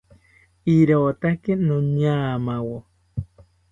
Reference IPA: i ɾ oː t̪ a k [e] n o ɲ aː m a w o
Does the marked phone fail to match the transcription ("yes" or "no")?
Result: no